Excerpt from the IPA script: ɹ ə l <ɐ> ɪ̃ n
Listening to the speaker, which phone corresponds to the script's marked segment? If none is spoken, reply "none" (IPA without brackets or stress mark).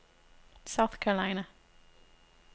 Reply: a